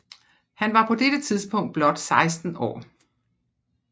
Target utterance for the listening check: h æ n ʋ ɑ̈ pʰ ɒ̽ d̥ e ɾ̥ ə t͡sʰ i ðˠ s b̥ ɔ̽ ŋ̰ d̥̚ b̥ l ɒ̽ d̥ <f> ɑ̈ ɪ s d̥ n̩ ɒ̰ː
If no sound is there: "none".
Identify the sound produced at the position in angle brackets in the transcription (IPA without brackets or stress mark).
s